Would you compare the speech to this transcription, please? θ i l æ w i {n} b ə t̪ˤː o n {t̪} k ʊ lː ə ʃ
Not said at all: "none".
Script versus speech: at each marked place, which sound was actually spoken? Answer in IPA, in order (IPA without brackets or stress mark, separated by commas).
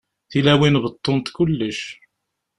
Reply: n, t̪